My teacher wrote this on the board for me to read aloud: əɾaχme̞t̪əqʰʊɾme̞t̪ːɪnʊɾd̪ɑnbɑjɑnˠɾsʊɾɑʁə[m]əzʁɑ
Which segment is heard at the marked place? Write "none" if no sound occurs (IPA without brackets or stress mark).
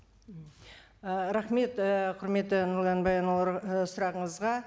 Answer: ɴ